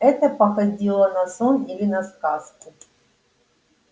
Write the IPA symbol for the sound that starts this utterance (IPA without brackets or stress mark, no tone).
ɛ